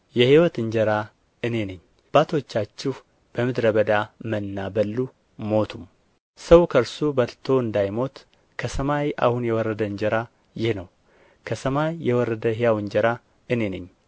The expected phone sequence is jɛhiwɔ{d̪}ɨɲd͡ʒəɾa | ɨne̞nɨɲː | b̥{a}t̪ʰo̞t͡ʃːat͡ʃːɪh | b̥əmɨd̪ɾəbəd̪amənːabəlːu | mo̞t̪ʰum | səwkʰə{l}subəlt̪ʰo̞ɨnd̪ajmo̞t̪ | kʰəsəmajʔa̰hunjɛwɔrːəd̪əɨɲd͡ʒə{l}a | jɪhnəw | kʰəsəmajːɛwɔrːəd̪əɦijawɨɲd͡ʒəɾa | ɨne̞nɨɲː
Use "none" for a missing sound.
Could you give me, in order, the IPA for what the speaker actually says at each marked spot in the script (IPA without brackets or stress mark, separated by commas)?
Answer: t̪, a, ɾ, ɾ